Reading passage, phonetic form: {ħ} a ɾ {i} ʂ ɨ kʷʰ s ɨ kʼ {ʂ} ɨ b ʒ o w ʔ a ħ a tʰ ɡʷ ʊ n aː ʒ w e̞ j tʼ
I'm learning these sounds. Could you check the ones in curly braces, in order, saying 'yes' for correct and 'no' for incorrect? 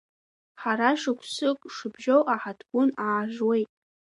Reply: yes, no, yes

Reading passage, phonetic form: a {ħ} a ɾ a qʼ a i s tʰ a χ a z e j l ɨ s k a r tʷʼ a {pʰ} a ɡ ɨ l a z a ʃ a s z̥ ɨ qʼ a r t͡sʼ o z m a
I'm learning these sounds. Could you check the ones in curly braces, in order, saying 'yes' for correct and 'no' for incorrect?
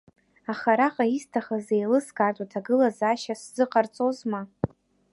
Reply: no, no

